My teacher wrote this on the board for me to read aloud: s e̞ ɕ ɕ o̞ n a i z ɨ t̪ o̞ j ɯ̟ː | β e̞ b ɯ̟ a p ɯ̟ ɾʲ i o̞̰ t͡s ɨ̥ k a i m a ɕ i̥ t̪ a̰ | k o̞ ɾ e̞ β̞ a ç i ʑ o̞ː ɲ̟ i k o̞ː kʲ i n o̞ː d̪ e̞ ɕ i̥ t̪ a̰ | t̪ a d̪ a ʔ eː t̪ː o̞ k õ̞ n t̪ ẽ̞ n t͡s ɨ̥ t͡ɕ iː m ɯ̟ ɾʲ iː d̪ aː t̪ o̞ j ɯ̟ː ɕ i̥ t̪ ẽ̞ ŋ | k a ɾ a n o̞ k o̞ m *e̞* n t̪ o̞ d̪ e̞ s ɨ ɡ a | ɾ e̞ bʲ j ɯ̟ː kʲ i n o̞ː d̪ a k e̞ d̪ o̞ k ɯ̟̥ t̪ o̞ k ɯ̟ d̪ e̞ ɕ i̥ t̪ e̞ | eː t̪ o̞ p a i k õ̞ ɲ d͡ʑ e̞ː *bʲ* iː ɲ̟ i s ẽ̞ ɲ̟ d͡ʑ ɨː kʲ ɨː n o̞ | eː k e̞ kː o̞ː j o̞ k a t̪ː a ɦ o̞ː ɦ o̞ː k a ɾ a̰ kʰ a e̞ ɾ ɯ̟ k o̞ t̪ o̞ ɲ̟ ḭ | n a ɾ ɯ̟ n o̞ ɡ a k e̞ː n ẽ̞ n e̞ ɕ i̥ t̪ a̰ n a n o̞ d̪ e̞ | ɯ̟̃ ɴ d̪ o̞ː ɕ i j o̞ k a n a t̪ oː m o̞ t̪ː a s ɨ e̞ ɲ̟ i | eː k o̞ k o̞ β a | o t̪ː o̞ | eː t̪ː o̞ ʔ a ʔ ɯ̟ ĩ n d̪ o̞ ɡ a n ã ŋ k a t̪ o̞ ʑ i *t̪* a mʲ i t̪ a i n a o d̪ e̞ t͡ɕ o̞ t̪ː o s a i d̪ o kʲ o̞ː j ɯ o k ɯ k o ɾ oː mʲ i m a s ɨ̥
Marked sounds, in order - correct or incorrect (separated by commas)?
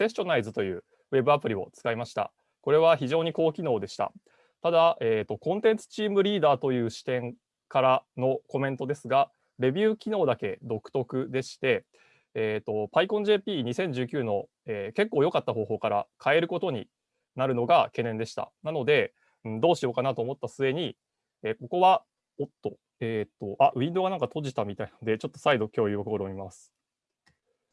incorrect, incorrect, correct